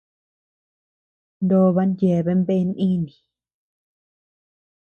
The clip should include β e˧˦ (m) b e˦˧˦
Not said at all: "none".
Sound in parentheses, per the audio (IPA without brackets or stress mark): m